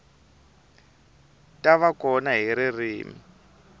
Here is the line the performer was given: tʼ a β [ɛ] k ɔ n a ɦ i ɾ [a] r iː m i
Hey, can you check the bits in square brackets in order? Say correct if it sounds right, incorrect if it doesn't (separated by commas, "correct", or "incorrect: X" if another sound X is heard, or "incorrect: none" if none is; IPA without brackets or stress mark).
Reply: incorrect: a, incorrect: i